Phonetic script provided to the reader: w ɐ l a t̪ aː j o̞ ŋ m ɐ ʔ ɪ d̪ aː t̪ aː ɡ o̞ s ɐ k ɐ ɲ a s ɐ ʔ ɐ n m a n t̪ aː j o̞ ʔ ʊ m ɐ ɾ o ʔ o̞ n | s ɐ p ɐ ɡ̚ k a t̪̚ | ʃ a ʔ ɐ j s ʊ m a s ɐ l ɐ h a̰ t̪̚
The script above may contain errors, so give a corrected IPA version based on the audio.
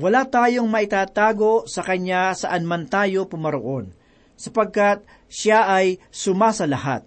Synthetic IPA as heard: w ɐ l a t̪ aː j o̞ ŋ m ɐ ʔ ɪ t̪ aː t̪ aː ɡ o̞ s ɐ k ɐ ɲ a s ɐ ʔ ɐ n m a n t̪ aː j o̞ p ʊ m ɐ ɾ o ʔ o̞ n | s ɐ p ɐ ɡ̚ k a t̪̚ | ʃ a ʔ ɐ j s ʊ m a s ɐ l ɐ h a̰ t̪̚